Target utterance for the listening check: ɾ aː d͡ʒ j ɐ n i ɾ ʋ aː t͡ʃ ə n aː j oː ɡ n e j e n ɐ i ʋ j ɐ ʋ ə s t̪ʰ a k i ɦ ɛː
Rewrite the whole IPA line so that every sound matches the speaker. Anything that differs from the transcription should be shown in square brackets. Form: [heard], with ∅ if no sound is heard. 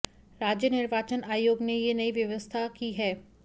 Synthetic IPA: ɾ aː d͡ʒ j [ə] n [ɪ] ɾ ʋ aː t͡ʃ ə n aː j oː ɡ n e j e n ɐ i ʋ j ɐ ʋ ə s t̪ʰ a k i ɦ ɛː